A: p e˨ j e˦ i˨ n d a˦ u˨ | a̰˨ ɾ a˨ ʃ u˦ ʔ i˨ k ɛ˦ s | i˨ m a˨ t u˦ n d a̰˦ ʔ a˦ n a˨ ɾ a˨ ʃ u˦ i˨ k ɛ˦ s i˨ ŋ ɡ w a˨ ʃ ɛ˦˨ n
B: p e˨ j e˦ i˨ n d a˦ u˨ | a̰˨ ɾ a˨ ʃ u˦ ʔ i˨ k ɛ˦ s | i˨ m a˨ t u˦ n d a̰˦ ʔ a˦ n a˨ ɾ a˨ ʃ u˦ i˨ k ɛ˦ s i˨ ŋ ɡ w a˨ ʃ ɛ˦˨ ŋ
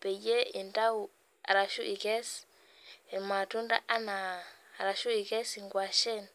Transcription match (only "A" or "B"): A